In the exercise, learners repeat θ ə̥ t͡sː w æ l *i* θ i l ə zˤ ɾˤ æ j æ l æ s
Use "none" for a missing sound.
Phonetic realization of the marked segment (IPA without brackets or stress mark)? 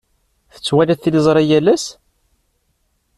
æ